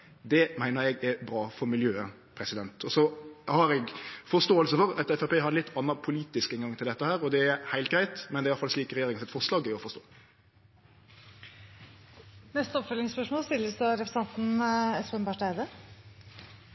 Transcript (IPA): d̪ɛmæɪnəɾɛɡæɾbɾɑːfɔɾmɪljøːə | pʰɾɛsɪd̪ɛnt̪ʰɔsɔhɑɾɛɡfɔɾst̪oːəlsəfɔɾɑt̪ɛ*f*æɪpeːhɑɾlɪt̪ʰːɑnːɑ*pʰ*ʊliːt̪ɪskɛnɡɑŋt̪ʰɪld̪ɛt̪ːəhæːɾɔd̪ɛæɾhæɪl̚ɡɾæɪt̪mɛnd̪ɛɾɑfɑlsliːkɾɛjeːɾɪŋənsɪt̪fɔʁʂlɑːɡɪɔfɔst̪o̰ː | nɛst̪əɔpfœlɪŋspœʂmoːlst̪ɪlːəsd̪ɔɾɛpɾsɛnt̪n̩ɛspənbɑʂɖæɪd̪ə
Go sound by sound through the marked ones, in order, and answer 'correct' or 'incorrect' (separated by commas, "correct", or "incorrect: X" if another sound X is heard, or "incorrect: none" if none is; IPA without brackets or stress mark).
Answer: correct, correct